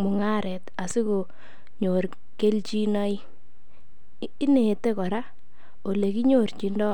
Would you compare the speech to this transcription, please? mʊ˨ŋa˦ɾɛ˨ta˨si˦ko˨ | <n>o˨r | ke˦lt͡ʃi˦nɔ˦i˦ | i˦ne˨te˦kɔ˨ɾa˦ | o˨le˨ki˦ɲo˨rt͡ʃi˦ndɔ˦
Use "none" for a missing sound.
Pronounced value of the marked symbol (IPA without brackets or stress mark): ɲ